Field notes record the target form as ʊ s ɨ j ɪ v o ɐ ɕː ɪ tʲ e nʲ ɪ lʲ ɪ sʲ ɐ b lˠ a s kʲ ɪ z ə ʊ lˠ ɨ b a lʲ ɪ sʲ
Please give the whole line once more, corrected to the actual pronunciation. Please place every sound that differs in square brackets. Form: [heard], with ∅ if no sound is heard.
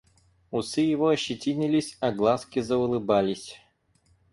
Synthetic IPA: ʊ s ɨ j ɪ v o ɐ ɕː ɪ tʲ [i] nʲ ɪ lʲ ɪ sʲ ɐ [ɡ] lˠ a s kʲ ɪ z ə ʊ lˠ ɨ b a lʲ ɪ sʲ